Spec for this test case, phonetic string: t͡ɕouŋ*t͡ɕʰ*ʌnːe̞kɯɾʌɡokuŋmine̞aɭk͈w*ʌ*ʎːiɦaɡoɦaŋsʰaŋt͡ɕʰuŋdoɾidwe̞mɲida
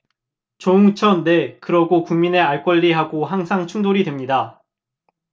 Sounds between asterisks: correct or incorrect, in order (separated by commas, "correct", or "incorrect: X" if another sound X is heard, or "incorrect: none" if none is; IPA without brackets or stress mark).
correct, correct